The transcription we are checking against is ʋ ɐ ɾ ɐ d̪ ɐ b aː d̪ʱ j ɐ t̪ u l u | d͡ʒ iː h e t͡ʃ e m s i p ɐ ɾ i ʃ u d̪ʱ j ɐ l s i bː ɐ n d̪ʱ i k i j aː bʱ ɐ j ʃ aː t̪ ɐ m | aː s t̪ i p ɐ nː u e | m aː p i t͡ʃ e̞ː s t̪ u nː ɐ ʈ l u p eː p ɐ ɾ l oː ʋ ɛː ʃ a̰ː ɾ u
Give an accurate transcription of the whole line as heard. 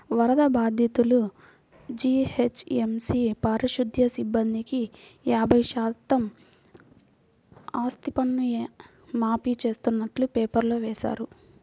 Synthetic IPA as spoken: ʋ ɐ ɾ ɐ d̪ ɐ b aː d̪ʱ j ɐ t̪ u l u | d͡ʒ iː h e t͡ʃ e m s i p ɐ ɾ i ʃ u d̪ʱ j ɐ s i bː ɐ n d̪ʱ i k i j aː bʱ ɐ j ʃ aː t̪ ɐ m | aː s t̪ i p ɐ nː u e | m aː p i t͡ʃ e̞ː s t̪ u nː ɐ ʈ l u p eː p ɐ ɾ l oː ʋ ɛː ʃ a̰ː ɾ u